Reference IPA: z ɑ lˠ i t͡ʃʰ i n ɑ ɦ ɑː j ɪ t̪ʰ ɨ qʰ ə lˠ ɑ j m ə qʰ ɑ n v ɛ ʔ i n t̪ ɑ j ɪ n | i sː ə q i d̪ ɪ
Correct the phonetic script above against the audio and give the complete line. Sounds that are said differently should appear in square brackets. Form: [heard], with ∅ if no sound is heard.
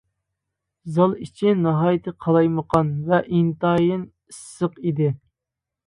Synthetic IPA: z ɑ lˠ i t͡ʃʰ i n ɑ ɦ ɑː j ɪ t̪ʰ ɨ qʰ [ɑ] lˠ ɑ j m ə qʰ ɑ n v ɛ ʔ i n t̪ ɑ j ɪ n | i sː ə q i d̪ ɪ